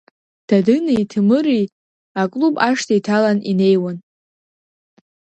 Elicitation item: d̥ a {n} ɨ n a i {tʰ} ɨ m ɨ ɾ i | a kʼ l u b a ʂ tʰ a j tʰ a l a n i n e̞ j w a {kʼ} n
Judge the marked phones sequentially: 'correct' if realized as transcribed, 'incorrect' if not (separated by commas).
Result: incorrect, correct, incorrect